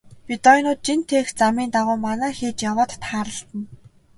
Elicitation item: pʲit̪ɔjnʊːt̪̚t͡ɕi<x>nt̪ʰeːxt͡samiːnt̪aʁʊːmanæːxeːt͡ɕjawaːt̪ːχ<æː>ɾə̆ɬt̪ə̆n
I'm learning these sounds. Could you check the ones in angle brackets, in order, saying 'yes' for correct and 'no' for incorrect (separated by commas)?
no, no